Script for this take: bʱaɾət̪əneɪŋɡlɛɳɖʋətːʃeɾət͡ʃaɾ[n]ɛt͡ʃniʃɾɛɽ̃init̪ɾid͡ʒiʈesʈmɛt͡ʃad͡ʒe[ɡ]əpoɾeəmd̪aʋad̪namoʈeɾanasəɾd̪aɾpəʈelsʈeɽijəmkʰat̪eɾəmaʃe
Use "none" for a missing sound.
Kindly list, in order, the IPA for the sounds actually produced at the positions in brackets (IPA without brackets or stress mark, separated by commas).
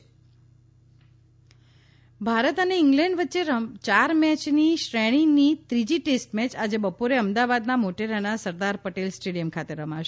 m, b